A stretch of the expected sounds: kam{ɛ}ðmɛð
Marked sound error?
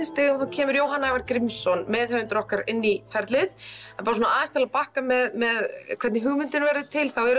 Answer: no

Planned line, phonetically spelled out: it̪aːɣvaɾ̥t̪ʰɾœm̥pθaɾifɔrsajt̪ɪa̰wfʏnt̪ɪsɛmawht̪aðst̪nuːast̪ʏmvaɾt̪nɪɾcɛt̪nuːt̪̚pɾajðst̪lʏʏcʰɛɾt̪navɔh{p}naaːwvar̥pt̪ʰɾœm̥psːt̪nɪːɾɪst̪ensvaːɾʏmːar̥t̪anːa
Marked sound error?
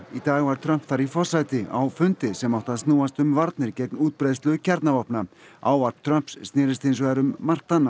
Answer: no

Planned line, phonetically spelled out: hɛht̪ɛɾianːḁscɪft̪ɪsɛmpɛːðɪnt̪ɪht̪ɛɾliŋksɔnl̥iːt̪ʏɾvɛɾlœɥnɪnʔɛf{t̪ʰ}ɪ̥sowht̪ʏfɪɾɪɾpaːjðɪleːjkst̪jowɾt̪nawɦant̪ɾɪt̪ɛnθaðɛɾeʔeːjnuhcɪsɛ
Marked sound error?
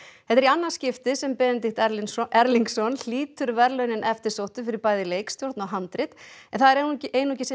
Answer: yes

